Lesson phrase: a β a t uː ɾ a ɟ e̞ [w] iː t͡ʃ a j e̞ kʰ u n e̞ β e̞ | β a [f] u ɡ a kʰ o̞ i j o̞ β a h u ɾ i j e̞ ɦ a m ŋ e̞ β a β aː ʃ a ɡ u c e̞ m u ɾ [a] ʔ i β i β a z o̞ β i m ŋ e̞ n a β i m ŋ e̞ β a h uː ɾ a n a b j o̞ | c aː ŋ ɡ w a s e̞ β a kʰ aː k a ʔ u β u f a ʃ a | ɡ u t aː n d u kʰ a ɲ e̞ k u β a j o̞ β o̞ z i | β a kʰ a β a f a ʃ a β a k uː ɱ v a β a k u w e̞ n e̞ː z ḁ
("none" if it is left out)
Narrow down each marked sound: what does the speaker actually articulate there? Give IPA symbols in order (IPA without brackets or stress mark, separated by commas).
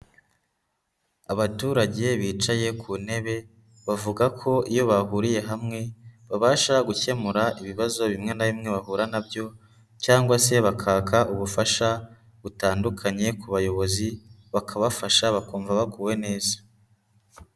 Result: β, v, a